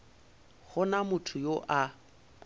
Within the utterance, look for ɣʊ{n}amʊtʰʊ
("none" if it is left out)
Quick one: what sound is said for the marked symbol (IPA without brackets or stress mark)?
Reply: n